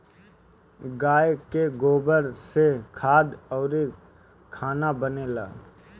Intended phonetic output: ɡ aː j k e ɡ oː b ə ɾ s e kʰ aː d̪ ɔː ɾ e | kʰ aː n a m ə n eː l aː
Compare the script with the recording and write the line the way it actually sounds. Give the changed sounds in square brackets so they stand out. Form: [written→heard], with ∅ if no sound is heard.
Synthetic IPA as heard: ɡ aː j k e ɡ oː b ə ɾ s e kʰ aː d̪ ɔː ɾ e | kʰ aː n a [m→b] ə n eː l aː